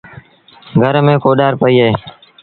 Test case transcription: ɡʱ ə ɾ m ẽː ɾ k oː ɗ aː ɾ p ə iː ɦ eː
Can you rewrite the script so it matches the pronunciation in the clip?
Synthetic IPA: ɡʱ ə ɾ m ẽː k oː ɗ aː ɾ p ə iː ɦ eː